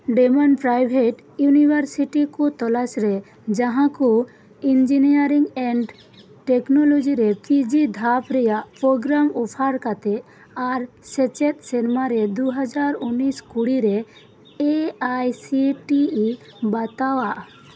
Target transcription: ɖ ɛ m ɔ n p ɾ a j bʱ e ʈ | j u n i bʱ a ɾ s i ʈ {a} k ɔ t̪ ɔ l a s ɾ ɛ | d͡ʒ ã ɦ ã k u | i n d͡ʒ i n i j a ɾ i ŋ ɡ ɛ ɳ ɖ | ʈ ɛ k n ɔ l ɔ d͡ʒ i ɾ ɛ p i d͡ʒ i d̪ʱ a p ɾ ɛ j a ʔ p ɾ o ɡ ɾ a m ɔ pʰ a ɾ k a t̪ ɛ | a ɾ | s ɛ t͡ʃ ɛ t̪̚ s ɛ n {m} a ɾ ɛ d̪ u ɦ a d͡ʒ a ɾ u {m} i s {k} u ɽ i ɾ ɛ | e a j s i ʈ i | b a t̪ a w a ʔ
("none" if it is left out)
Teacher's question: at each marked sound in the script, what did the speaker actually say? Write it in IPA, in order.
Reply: i, m, n, k

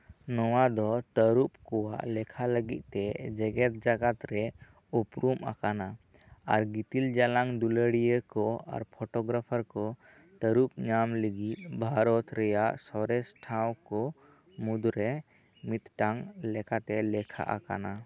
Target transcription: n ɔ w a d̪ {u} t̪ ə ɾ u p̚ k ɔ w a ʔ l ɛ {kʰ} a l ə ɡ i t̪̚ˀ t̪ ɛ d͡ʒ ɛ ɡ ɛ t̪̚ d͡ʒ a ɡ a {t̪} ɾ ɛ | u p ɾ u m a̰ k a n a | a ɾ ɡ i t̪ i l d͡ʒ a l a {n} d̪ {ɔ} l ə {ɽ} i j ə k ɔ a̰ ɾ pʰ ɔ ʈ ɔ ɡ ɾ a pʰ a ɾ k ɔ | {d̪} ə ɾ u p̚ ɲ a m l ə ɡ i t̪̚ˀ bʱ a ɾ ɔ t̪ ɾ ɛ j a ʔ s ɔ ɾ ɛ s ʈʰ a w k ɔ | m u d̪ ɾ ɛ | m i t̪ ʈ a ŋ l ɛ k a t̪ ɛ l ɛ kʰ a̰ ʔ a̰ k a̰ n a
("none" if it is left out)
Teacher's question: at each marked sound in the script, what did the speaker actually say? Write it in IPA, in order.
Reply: ɔ, kʰ, t̪, ŋ, u, ɽ, t̪

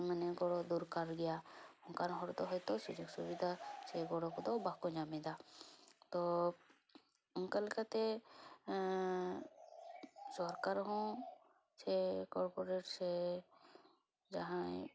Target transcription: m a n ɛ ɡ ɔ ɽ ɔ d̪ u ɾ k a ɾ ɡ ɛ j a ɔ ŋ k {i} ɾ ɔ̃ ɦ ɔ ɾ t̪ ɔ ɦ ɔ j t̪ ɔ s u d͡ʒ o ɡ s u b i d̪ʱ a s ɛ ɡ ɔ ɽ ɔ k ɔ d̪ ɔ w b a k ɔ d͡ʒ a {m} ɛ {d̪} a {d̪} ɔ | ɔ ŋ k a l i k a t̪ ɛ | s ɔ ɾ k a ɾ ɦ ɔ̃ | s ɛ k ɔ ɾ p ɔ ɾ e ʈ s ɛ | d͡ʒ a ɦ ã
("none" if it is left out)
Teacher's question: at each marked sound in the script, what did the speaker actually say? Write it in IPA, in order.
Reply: a, m, d̪, t̪

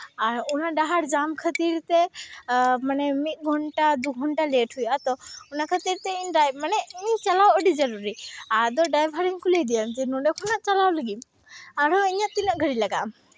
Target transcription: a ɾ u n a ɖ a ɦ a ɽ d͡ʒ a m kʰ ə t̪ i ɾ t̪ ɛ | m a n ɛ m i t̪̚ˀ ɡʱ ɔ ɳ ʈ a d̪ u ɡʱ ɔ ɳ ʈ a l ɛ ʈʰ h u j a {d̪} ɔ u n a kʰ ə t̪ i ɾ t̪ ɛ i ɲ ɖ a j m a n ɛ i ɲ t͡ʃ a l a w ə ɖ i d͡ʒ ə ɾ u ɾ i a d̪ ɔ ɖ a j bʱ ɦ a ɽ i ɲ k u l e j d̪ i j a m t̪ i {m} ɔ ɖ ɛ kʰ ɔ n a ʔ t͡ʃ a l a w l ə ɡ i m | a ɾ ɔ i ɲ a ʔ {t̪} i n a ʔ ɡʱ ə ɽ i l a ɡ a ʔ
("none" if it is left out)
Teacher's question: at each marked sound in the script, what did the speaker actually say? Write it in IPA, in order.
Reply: t̪, n, t̪

